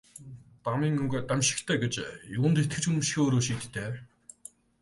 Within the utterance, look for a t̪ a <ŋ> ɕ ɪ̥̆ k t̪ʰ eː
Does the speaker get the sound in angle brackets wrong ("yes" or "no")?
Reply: yes